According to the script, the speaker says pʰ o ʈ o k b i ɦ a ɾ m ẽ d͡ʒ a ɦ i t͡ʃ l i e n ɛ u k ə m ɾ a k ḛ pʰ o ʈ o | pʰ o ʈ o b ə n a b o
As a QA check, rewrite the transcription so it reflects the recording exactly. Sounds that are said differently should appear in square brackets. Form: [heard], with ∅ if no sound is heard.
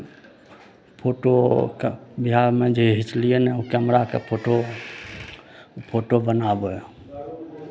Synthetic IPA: pʰ o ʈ o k b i ɦ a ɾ m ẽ d͡ʒ [e] ɦ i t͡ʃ l i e n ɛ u k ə m ɾ a k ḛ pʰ o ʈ o | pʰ o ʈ o b ə n a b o